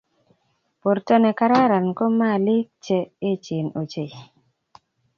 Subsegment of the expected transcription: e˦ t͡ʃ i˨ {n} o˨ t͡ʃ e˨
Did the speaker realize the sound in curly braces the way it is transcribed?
yes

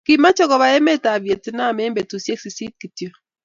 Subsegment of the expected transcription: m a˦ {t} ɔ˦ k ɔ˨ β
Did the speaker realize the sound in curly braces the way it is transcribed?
no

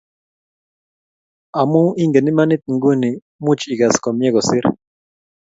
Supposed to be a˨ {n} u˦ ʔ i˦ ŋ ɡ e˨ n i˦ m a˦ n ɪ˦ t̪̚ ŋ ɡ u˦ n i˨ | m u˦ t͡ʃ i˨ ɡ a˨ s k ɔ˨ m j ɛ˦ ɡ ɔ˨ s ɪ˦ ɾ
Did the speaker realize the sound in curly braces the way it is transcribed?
no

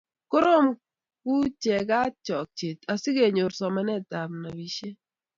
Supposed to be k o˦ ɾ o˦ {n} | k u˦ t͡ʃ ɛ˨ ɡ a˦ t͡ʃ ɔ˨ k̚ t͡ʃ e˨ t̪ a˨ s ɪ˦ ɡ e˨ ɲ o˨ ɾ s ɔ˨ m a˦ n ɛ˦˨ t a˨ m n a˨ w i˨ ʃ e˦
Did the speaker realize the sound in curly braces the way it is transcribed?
no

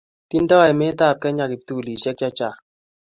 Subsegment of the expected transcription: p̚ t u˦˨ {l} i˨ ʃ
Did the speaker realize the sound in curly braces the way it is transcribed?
yes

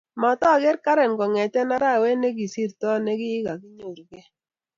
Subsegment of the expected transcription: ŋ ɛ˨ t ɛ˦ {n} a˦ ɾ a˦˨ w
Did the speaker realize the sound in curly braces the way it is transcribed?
yes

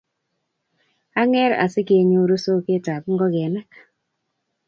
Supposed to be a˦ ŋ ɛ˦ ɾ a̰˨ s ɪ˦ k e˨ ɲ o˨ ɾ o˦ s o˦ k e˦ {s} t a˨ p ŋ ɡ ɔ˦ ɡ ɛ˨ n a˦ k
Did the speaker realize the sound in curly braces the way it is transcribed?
no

